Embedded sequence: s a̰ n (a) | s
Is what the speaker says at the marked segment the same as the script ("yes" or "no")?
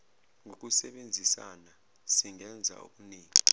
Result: yes